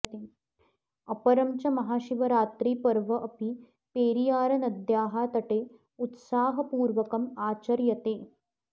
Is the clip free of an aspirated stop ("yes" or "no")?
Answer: yes